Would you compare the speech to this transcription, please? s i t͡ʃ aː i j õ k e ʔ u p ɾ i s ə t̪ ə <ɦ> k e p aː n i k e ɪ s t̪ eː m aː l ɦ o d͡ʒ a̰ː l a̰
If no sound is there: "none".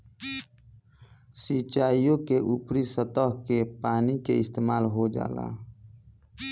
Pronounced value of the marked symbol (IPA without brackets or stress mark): ɦ